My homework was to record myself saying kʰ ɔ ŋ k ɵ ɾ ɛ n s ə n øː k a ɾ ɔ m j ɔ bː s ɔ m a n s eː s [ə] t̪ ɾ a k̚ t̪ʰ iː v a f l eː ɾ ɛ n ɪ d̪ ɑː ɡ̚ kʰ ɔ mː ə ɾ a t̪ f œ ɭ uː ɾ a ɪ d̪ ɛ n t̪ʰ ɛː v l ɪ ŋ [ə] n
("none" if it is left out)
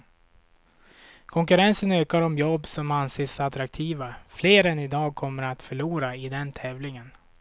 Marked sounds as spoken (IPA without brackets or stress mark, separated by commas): a, ə